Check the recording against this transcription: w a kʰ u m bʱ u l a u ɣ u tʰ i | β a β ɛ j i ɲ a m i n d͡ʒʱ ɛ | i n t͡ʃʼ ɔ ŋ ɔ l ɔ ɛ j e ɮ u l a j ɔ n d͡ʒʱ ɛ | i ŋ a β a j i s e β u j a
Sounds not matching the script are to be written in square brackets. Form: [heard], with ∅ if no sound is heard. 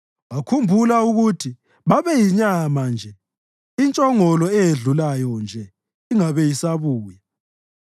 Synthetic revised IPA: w a kʰ u m bʱ u l a u ɣ u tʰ i | β a β ɛ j i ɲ a m [a] n d͡ʒʱ ɛ | i n t͡ʃʼ ɔ ŋ ɔ l ɔ ɛ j e ɮ u l a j ɔ n d͡ʒʱ ɛ | i ŋ a β [ɛ] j i s [a] β [uː] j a